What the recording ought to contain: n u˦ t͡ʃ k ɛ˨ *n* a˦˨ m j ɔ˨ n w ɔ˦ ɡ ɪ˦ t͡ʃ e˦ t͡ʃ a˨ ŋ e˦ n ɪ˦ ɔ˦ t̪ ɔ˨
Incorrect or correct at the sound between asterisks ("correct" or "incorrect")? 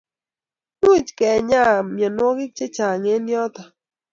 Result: incorrect